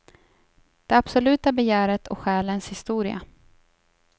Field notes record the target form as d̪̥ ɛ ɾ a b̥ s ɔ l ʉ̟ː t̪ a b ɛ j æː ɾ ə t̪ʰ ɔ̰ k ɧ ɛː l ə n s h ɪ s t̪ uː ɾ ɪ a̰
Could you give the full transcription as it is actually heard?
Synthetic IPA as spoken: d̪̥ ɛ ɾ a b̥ s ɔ l ʉ̟ː t̪ a b ɛ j æː ɾ ə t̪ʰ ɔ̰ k ɧ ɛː l ə n s h ɪ s t̪ uː ɾ ɪ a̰

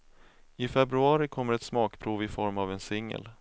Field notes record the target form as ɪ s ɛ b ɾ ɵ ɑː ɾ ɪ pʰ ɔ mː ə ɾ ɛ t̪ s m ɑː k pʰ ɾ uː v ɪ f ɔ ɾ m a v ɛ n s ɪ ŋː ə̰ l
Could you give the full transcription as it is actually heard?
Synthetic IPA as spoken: ɪ f ɛ b ɾ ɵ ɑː ɾ ɪ kʰ ɔ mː ə ɾ ɛ t̪ s m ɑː k pʰ ɾ uː v ɪ f ɔ ɾ m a v ɛ n s ɪ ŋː ə̰ l

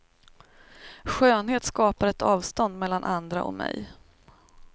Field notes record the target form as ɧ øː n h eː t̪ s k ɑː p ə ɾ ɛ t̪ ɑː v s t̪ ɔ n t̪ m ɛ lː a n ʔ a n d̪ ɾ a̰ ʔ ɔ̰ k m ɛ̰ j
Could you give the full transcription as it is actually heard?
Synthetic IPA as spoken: ɧ øː n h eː t̪ s k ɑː p a ɾ ɛ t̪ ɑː v s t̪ ɔ n d̪ m ɛ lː a n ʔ a n d̪ ɾ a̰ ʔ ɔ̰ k m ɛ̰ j

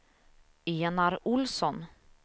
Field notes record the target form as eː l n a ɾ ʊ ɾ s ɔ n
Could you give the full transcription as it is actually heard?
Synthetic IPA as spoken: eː n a ɾ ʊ l s ɔ n

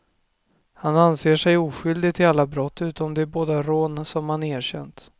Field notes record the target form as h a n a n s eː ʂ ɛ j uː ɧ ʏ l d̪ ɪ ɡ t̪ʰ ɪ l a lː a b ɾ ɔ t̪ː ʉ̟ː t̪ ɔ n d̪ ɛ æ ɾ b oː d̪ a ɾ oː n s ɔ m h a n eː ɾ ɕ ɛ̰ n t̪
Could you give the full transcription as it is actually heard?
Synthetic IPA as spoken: h a n a n s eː ʂ ɛ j uː ɧ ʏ l d̪ ɪ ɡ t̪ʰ ɪ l a lː a b ɾ ɔ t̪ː ʉ̟ː t̪ ɔ m d̪ ɛ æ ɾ b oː d̪ a ɾ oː n s ɔ m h a n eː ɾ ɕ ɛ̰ n t̪

